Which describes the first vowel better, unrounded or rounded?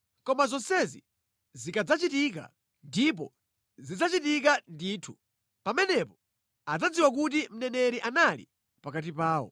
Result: rounded